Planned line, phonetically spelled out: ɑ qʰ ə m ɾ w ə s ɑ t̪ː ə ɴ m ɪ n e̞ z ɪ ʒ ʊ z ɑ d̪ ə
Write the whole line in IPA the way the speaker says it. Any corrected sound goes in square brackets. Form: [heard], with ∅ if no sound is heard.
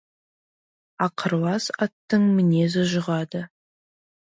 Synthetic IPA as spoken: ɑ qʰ ə [∅] ɾ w [ɑ] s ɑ t̪ː ə ɴ m ɪ n e̞ z ɪ ʒ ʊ [ʁ] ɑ d̪ ə